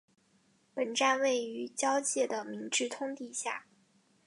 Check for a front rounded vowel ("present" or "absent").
present